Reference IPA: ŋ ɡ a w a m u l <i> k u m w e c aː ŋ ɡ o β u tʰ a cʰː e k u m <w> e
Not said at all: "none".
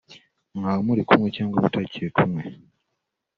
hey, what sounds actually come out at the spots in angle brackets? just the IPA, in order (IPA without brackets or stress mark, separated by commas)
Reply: i, w